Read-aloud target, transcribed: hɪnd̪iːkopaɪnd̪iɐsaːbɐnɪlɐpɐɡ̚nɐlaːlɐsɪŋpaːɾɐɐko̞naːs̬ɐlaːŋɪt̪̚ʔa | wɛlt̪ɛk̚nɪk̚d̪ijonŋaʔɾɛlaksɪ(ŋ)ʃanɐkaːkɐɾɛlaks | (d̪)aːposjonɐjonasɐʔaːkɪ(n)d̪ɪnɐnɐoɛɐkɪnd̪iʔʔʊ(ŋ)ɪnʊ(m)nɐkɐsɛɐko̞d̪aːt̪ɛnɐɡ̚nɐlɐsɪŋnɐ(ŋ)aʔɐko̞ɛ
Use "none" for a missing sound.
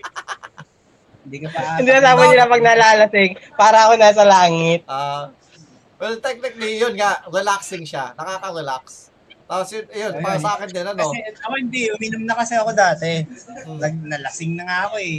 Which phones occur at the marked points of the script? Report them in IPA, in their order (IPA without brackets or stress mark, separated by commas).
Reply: ŋ, t̪, n, m, m, ŋ